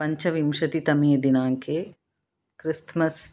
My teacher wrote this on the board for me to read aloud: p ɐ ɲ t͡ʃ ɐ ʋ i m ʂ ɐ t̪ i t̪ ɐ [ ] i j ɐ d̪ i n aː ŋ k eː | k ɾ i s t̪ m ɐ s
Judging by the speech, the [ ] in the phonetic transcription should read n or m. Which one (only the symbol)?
m